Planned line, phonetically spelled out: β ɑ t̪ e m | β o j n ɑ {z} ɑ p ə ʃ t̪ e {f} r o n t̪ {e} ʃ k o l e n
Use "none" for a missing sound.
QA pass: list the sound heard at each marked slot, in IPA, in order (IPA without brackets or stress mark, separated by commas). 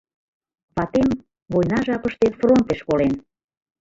ʒ, f, e